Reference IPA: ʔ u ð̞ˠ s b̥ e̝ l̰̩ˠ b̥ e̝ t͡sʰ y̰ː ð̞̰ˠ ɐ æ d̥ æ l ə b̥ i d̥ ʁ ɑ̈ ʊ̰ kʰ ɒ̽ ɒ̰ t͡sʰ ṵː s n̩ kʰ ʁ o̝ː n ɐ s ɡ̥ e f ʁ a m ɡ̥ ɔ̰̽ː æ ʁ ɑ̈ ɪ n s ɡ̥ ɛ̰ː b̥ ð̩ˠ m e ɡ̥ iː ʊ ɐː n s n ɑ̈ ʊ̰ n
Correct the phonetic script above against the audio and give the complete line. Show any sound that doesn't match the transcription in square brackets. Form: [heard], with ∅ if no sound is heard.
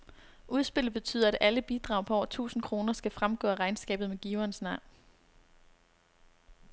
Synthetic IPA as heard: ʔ u ð̞ˠ s b̥ e̝ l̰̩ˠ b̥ e̝ t͡sʰ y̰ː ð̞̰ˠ ɐ æ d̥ æ l ə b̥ i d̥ ʁ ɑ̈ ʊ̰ [pʰ] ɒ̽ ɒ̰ t͡sʰ ṵː s n̩ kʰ ʁ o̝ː n ɐ s ɡ̥ [æ] f ʁ a m ɡ̥ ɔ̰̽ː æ ʁ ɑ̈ ɪ n s ɡ̥ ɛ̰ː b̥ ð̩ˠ m e ɡ̥ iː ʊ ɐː n s n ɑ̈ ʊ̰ n